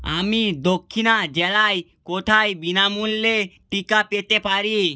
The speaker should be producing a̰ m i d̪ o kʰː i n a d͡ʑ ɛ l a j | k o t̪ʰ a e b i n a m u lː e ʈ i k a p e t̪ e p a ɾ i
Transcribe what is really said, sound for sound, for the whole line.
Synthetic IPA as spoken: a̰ m i d̪ o kʰː i n a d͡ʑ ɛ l a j | k o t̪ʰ a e b i n a m u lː e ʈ i k a p e t̪ e p a ɾ i